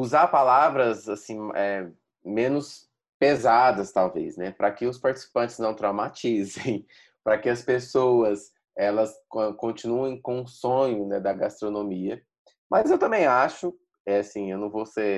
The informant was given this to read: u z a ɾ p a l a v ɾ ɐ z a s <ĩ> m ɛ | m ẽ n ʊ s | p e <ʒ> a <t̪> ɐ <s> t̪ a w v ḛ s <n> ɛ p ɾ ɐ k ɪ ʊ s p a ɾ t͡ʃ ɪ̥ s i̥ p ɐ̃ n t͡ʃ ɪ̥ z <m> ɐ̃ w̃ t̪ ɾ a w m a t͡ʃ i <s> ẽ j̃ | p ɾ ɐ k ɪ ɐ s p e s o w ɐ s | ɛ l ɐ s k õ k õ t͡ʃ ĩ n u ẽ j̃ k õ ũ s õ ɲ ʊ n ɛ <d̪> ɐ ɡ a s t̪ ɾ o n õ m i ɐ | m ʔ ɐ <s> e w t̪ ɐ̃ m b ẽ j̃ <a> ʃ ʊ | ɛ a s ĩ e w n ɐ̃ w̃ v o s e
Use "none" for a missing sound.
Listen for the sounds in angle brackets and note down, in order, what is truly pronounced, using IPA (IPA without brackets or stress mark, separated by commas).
ĩ, z, d̪, s, n, n, z, d̪, z, a